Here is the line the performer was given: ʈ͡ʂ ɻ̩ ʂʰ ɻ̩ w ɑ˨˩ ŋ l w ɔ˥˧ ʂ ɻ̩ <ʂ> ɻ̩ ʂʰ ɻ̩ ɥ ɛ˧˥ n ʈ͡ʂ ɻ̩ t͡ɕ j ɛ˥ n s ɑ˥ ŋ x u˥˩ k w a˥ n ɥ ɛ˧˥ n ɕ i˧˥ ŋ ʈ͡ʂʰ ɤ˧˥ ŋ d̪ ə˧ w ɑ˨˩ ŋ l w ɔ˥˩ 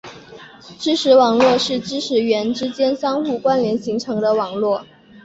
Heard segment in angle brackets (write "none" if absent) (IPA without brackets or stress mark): ʈ͡ʂ